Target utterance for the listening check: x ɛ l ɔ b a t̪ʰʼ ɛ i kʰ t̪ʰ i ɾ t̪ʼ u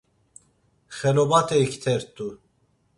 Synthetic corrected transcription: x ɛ l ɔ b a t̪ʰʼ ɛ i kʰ t̪ʰ ɛ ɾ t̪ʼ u